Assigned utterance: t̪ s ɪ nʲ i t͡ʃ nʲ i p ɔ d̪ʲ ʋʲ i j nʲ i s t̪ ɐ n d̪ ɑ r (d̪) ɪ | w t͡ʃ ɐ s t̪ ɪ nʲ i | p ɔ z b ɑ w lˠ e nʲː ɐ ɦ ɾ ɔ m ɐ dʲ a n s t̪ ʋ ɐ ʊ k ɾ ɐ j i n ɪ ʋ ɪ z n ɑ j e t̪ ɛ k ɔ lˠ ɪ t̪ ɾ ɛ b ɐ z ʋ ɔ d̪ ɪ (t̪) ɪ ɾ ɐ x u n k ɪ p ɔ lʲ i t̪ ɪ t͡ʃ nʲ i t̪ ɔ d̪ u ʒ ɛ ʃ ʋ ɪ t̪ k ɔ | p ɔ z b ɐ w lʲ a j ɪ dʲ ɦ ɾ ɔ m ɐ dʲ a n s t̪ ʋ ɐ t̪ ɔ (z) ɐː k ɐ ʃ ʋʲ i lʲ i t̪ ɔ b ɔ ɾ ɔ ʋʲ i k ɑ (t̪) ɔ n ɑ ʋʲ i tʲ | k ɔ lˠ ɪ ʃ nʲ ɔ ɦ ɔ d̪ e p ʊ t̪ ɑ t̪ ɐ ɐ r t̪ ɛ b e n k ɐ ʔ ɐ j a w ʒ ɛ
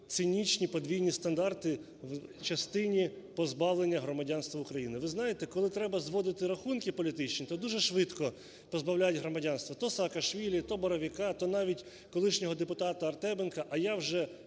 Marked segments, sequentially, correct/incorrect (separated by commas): incorrect, correct, incorrect, correct